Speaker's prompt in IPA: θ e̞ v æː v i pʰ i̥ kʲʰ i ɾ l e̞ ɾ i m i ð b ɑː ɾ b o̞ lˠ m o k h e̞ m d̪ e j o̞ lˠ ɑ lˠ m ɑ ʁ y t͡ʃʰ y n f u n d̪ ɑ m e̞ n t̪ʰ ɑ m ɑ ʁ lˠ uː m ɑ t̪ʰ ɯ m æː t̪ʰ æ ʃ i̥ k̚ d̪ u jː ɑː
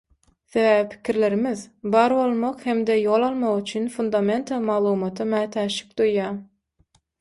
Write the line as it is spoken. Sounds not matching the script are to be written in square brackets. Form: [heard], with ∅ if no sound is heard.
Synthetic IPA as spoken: θ e̞ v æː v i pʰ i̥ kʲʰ i ɾ l e̞ ɾ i m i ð b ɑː ɾ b o̞ lˠ m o [q] h e̞ m d̪ e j o̞ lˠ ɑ lˠ m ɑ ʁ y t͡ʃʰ y n f u n d̪ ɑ m e̞ n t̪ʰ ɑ m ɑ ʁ lˠ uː m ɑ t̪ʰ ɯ m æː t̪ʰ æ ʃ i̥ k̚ d̪ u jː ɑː